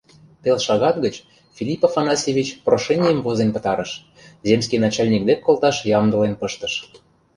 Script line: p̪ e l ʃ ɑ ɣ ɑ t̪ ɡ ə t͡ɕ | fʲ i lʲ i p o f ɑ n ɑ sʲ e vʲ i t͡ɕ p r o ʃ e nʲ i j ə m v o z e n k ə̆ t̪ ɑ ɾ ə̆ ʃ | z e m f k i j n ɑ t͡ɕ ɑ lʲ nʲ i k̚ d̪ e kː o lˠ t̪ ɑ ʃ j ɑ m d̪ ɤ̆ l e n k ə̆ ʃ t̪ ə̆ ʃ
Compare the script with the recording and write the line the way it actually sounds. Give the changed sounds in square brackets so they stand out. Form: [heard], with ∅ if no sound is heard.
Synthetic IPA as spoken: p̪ e l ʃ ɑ ɣ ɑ t̪ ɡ ə t͡ɕ | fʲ i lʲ i p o f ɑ n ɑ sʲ e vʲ i t͡ɕ p r o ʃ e nʲ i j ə m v o z e n [p] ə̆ t̪ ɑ ɾ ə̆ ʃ | z e m [s] k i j n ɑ t͡ɕ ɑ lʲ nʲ i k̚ d̪ e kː o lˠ t̪ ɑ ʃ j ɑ m d̪ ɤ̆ l e n [p] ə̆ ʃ t̪ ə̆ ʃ